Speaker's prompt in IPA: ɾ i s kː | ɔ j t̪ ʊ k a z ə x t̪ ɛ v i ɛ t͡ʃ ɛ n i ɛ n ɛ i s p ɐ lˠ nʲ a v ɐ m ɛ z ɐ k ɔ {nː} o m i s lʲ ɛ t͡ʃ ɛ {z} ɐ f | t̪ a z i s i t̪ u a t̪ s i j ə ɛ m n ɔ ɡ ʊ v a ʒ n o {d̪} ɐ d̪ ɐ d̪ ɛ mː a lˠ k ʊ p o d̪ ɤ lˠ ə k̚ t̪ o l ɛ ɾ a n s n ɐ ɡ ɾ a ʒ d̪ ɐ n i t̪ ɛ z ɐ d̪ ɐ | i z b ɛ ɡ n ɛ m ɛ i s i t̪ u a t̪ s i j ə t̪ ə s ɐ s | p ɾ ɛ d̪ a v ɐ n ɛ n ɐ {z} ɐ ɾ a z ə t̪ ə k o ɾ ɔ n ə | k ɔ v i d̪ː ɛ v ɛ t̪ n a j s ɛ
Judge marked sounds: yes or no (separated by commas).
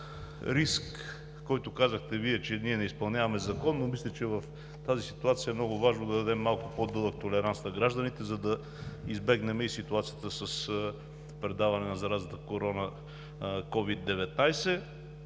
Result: yes, no, yes, yes